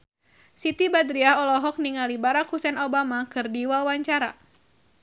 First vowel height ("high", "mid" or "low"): high